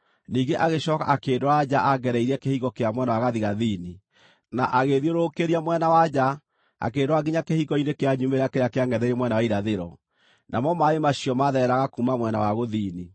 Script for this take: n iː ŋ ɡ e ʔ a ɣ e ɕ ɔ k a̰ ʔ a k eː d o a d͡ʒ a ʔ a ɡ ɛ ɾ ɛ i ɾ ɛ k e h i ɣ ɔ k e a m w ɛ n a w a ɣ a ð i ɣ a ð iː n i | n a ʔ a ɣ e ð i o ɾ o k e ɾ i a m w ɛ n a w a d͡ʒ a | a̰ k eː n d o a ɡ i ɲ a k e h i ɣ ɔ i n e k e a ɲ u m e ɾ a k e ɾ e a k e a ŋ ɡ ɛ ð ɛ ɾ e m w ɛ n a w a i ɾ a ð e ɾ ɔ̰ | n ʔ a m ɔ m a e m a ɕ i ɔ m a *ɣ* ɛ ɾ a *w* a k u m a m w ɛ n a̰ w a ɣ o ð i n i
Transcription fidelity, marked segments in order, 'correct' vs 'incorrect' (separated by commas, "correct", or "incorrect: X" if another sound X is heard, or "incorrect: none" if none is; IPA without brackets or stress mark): incorrect: ð, incorrect: ɣ